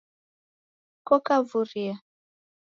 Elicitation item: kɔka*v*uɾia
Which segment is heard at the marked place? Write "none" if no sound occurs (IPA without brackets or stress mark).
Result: v